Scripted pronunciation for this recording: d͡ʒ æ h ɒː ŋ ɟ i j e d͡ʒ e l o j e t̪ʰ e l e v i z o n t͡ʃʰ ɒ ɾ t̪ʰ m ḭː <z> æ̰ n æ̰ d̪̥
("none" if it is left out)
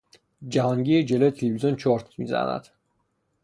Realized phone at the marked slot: z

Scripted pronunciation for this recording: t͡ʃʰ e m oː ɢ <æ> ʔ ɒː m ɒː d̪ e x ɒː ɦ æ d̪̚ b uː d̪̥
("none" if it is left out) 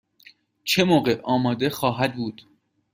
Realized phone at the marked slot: e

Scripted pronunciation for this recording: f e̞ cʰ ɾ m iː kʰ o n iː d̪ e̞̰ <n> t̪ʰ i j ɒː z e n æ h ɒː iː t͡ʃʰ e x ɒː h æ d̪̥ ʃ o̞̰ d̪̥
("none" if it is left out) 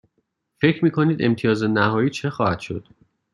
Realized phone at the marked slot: m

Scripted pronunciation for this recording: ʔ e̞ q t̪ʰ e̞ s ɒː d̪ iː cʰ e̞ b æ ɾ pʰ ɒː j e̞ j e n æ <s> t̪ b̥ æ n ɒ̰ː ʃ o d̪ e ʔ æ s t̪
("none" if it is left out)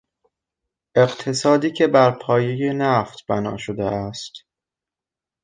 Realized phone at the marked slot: f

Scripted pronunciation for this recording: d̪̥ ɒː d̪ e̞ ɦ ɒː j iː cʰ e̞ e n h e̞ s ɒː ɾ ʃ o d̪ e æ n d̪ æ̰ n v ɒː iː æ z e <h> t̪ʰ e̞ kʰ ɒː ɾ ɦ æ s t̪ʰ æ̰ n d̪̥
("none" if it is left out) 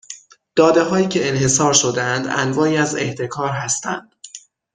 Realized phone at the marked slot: h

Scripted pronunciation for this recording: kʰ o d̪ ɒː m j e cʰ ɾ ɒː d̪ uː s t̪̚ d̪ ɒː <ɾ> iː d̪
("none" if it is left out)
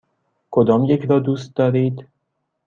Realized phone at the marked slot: ɾ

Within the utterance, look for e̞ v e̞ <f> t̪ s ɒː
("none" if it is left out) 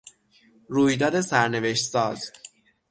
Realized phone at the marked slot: ʃ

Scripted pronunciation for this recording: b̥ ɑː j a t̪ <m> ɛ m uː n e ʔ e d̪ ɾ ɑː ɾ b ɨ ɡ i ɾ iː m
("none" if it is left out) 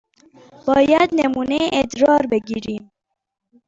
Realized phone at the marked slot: n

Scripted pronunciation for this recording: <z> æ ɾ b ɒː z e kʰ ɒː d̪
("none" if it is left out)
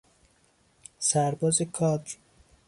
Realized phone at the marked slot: s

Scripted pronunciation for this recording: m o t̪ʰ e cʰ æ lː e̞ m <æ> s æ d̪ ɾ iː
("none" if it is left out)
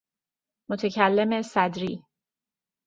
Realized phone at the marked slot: e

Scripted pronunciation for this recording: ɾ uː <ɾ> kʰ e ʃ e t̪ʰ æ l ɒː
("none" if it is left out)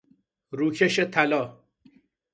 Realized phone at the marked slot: none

